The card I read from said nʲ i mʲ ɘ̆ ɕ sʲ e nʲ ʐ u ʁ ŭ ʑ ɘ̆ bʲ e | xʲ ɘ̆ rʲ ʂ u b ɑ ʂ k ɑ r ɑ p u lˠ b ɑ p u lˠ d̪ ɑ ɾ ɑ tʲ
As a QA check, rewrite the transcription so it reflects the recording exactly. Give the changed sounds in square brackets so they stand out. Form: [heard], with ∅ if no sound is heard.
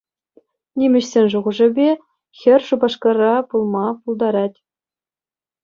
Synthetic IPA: nʲ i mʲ ɘ̆ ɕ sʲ e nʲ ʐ u ʁ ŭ [ʐ] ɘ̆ bʲ e | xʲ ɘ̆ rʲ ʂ u b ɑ ʂ k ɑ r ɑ p u lˠ [m] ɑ p u lˠ d̪ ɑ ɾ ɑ tʲ